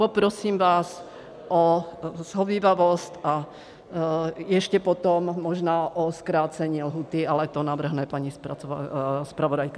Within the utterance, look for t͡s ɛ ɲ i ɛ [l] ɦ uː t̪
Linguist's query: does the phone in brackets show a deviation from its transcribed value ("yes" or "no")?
no